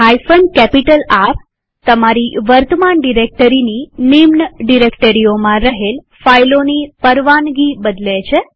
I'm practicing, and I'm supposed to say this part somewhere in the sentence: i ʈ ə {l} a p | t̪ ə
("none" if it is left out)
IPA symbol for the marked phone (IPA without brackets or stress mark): l